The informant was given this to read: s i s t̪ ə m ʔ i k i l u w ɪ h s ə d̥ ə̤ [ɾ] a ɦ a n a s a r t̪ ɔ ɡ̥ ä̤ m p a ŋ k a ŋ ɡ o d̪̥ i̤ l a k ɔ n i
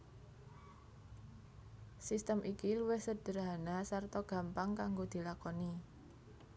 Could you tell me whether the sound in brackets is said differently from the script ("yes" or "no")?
no